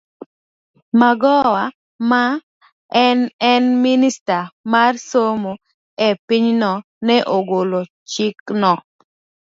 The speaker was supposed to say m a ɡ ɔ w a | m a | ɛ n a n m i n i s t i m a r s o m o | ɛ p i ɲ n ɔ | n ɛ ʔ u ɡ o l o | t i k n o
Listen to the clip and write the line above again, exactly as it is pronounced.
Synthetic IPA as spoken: m a ɡ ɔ w a | m a | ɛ n ɛ n m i n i s t a m a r s o m o | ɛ p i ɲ n ɔ | n ɛ ʔ o ɡ o l o | t͡ʃ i k n ɔ